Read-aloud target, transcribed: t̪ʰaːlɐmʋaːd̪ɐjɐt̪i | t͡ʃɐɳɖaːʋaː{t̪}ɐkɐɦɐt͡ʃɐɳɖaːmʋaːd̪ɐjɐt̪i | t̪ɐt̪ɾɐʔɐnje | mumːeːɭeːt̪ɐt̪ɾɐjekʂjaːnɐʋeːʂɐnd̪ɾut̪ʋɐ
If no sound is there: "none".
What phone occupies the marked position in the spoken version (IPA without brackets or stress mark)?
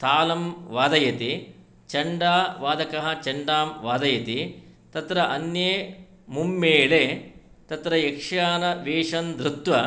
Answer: d̪